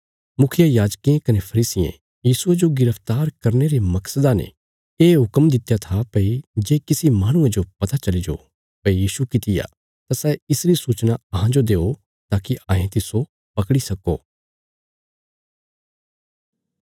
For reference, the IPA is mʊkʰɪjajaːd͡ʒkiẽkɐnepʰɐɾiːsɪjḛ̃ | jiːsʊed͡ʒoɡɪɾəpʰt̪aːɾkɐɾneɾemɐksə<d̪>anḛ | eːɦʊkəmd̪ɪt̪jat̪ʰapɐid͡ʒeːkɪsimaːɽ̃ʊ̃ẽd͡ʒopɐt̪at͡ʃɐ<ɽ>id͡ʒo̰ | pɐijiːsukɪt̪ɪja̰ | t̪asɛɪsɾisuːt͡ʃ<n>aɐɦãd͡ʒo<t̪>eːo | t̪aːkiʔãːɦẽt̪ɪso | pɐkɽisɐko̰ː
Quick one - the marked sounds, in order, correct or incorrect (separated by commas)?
correct, incorrect, correct, incorrect